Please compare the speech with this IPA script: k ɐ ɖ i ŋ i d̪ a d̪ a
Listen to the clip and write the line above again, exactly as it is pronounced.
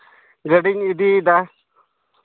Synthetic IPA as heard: ɡ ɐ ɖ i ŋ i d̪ i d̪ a